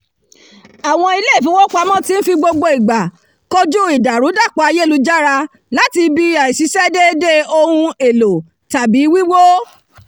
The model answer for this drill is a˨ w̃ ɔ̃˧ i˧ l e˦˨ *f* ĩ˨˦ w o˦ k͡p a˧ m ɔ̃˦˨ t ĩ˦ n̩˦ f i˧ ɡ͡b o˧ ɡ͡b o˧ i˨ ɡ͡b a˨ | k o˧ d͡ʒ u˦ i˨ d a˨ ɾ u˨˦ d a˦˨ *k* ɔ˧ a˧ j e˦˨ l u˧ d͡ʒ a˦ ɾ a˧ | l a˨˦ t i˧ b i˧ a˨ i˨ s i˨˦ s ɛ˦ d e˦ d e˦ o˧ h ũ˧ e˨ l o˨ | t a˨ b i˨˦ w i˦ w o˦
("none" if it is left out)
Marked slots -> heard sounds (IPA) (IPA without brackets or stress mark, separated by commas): f, k͡p